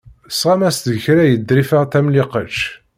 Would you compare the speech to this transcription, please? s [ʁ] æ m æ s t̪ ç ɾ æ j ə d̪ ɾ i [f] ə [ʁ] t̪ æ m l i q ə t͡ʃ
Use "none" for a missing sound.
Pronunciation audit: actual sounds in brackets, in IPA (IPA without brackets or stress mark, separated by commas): ʁ, f, ʁ